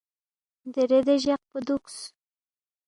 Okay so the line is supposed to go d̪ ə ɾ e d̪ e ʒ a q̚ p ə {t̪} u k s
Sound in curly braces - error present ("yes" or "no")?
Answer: yes